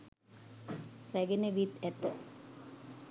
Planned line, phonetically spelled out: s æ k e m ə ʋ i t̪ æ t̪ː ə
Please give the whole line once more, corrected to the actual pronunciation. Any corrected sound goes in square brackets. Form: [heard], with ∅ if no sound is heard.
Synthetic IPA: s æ [ɡ] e [n] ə ʋ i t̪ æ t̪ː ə